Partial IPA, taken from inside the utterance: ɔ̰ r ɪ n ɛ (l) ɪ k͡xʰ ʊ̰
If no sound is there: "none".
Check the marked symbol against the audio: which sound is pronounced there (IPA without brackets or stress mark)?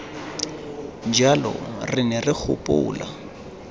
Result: r